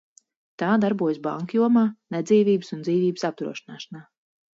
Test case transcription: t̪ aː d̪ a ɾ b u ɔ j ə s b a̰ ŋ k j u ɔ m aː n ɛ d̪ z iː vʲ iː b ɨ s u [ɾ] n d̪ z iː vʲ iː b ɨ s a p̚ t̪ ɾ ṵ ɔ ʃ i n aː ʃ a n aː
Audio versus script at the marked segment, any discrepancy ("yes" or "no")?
yes